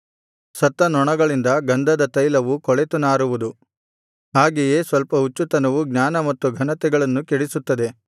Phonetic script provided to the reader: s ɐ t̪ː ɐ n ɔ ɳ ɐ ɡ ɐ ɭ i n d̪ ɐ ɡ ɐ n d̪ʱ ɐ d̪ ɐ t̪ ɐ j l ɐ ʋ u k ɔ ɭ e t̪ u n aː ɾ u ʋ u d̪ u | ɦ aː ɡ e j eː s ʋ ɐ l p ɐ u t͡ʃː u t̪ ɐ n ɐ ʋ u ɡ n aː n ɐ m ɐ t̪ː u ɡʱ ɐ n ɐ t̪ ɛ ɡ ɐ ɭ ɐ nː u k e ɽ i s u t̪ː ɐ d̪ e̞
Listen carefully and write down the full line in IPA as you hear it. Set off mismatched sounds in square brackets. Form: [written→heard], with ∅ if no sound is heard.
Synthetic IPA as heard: s ɐ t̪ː ɐ n ɔ ɳ ɐ ɡ ɐ ɭ i n d̪ ɐ ɡ ɐ n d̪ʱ ɐ d̪ ɐ t̪ ɐ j l ɐ ʋ u k ɔ ɭ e t̪ u n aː ɾ u ʋ u d̪ u | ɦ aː ɡ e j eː s ʋ ɐ l p ɐ u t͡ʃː u t̪ ɐ n ɐ ʋ u ɡ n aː n ɐ m ɐ t̪ː u ɡʱ ɐ n ɐ t̪ ɛ ɡ ɐ ɭ ɐ nː u k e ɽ i s u t̪ː ɐ d̪ e̞